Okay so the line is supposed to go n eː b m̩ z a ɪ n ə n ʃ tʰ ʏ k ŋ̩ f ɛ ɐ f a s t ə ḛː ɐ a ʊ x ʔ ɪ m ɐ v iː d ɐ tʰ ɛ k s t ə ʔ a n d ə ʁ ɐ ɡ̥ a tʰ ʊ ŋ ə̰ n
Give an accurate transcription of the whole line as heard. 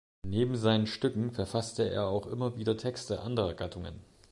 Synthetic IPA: n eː b m̩ z a ɪ n ə n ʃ t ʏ k ŋ̩ f ɛ ɐ f a s t ə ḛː ɐ a ʊ x ʔ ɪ m ɐ v iː d ɐ tʰ ɛ k s t ə ʔ a n d ə ʁ ɐ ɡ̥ a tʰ ʊ ŋ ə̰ n